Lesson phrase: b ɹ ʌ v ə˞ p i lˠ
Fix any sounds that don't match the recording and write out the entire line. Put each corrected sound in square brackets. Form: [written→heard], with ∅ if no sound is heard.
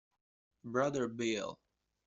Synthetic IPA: b ɹ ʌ [v→ð] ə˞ [p→b] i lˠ